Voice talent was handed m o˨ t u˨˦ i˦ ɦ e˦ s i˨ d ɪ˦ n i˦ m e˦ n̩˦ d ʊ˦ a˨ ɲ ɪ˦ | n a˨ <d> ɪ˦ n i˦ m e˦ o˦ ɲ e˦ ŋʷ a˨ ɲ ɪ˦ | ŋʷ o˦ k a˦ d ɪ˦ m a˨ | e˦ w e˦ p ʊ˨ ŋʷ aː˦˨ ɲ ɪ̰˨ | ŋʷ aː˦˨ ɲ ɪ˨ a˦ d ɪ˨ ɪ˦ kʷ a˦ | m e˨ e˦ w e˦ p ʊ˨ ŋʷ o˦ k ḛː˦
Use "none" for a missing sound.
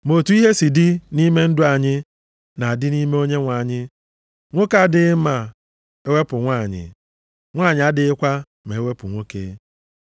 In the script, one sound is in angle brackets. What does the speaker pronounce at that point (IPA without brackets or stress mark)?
d